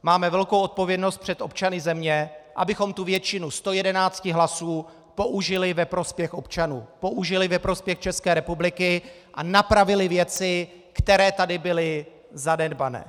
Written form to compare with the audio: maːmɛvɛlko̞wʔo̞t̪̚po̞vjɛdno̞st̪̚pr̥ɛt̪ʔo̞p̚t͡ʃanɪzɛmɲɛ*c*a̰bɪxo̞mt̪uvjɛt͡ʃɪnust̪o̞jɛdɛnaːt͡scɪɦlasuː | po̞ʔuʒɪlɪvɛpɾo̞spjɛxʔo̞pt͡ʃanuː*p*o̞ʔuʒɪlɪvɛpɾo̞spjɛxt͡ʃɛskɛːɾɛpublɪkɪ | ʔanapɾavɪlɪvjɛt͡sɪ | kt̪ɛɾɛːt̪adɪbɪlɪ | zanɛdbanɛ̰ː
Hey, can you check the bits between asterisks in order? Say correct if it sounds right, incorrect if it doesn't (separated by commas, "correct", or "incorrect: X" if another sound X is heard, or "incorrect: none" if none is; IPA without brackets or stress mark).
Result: incorrect: ʔ, correct